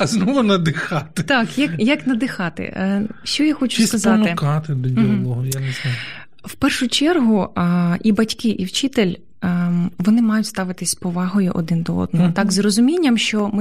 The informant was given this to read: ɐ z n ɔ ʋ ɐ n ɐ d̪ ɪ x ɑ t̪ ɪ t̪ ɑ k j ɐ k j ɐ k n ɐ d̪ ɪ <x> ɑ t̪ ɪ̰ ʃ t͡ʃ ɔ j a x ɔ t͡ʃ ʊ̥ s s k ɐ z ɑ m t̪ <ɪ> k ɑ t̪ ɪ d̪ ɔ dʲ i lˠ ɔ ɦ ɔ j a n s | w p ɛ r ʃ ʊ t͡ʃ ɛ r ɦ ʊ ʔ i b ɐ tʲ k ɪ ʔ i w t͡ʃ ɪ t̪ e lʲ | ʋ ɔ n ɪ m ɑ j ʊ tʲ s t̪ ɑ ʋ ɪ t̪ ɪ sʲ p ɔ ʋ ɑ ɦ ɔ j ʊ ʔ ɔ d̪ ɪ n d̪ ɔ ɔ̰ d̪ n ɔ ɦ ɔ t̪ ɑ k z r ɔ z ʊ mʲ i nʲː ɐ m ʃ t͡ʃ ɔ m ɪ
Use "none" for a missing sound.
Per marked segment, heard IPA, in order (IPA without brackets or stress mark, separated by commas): x, ɪ